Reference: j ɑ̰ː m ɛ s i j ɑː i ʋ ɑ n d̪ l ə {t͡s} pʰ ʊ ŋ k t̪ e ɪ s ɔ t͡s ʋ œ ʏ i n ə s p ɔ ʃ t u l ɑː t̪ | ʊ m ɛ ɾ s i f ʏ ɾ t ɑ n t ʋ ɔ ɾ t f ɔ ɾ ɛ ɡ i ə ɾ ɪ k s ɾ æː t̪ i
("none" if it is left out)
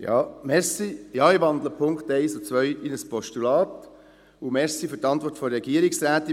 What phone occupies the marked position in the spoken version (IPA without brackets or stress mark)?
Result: none